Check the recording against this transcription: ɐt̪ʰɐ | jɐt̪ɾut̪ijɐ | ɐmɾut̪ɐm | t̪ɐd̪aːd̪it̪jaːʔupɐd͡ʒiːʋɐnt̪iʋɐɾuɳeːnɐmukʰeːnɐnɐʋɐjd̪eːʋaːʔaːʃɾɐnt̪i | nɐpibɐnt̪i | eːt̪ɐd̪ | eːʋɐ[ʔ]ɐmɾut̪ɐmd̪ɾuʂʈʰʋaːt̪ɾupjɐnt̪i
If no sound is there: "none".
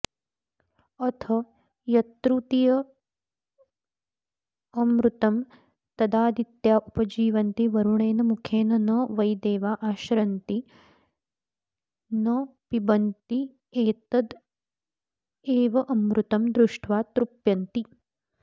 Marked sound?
ʔ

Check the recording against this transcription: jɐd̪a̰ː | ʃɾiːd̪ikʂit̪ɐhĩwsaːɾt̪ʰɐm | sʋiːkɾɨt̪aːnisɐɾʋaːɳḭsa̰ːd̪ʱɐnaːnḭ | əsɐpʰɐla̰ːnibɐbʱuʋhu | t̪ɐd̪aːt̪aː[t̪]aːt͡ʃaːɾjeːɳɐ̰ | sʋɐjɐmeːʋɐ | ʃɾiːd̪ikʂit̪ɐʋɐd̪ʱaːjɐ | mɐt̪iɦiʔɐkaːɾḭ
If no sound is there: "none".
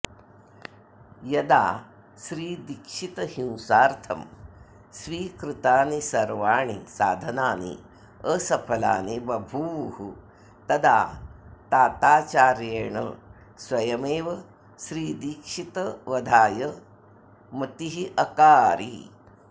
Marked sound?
t̪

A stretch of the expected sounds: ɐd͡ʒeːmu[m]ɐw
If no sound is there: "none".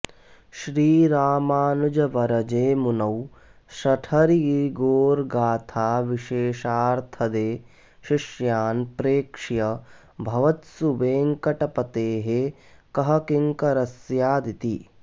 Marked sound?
n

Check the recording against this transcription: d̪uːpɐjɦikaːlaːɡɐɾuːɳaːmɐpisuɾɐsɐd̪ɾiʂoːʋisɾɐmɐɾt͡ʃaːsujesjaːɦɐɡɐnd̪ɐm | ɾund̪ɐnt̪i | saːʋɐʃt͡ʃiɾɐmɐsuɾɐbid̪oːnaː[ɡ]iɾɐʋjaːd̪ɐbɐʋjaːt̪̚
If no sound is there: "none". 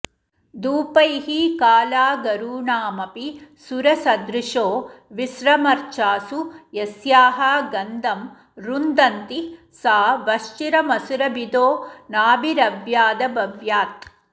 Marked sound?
b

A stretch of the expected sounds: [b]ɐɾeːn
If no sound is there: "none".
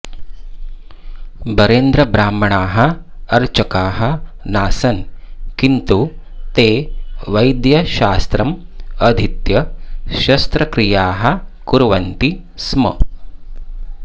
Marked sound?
b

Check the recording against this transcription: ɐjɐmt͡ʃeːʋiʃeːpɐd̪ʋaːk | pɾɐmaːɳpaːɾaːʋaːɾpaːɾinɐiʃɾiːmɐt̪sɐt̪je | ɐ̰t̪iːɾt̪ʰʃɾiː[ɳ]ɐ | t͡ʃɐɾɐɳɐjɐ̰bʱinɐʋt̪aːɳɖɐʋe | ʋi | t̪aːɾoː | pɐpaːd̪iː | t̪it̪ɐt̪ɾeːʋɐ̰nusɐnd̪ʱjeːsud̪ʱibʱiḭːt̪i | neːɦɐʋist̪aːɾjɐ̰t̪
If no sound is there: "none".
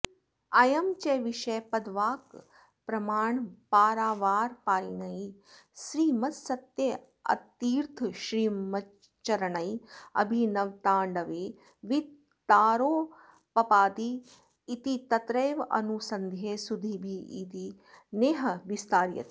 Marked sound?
m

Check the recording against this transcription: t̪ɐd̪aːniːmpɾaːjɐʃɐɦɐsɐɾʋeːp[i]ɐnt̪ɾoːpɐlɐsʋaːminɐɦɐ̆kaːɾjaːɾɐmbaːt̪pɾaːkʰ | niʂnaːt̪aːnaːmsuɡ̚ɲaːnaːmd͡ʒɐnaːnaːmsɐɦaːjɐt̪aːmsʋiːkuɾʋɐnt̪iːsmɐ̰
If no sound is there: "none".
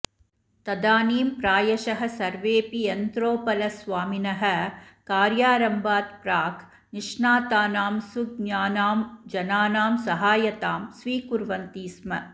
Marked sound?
i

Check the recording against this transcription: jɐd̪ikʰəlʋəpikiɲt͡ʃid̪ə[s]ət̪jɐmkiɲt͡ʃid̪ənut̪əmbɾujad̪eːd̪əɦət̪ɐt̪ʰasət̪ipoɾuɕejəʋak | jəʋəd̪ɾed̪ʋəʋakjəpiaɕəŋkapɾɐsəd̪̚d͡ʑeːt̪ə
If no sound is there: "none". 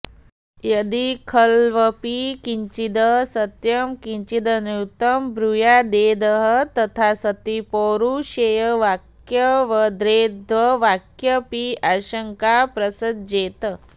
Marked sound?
s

